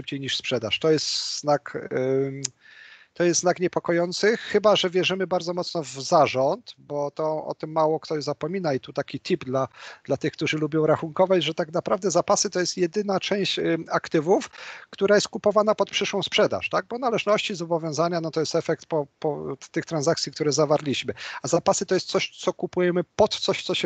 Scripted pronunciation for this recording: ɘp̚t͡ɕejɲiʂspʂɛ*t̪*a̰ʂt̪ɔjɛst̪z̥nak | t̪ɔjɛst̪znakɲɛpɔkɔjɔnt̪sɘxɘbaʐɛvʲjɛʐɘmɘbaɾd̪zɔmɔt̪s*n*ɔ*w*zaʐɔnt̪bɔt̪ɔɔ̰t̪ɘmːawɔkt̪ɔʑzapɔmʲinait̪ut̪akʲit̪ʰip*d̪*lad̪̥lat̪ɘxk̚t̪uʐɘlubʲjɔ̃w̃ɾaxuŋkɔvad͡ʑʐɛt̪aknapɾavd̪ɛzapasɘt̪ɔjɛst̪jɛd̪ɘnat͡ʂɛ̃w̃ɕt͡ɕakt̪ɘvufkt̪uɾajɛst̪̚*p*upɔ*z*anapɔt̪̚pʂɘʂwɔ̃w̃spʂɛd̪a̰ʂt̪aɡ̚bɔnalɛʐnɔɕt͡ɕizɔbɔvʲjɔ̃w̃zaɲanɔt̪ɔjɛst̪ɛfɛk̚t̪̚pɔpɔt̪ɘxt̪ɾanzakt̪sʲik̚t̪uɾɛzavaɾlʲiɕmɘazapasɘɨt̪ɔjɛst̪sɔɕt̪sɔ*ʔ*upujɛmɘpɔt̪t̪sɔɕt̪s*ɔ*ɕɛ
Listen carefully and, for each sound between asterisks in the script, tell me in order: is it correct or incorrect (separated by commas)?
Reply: incorrect, correct, incorrect, correct, incorrect, incorrect, incorrect, correct